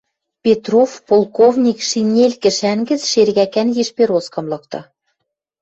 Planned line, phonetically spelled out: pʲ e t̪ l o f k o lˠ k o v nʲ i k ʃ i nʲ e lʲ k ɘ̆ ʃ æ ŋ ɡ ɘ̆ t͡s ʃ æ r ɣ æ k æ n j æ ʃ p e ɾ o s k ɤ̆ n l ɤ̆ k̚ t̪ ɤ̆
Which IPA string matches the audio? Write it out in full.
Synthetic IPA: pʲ e t̪ r o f p o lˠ k o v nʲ i k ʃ i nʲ e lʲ k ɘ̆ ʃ æ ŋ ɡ ɘ̆ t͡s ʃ e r ɣ æ k æ n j e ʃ p e ɾ o s k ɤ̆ m l ɤ̆ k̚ t̪ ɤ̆